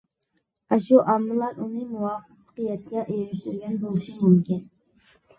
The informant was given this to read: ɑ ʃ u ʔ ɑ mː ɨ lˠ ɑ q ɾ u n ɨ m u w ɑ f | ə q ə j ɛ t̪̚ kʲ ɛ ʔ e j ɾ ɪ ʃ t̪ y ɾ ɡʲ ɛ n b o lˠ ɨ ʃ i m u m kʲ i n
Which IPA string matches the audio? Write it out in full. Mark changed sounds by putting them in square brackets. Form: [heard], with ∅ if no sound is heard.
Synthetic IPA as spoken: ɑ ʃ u ʔ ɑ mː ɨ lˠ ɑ [∅] ɾ u n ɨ m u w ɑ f | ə q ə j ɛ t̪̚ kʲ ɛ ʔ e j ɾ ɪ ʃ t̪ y ɾ ɡʲ ɛ n b o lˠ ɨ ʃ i m u m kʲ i n